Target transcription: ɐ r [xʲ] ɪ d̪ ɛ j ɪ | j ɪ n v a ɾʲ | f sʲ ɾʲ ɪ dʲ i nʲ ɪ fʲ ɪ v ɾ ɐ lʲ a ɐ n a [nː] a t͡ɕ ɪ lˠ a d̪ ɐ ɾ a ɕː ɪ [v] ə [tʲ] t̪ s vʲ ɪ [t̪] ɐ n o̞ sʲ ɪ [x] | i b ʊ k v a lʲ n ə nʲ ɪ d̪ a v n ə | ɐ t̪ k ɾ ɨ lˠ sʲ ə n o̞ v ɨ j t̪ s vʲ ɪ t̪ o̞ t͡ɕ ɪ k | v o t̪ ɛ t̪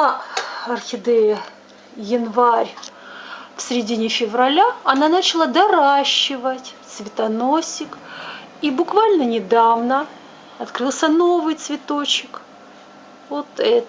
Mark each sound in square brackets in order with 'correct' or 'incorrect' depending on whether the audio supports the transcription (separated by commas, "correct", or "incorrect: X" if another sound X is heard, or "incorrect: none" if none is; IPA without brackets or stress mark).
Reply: correct, incorrect: n, correct, correct, correct, incorrect: k